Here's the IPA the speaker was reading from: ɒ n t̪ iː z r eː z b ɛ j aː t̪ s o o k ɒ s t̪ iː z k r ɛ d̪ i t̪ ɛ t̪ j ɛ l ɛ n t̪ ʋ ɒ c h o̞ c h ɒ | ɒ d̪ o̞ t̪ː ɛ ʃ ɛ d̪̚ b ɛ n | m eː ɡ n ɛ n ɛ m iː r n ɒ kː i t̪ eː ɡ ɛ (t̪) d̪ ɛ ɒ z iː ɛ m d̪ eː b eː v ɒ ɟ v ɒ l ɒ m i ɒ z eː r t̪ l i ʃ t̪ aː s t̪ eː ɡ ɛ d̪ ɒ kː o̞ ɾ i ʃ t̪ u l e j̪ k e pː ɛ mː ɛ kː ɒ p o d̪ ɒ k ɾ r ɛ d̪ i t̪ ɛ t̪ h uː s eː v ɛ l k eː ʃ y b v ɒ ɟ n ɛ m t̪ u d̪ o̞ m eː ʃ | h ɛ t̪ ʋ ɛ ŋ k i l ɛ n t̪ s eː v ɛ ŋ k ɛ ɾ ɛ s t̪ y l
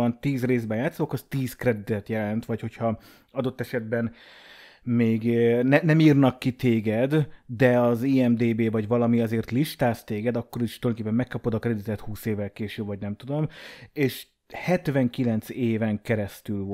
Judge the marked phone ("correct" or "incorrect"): incorrect